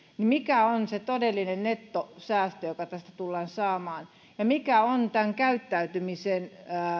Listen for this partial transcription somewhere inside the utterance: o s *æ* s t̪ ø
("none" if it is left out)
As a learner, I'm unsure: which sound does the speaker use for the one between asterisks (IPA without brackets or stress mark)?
æː